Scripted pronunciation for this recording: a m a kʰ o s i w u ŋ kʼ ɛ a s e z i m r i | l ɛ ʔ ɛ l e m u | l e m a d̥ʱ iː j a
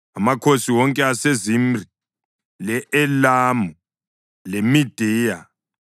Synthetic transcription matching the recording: a m a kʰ o s i w ɔ ŋ kʼ ɛ a s e z i m r i | l ɛ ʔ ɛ l a m u | l e m i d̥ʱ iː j a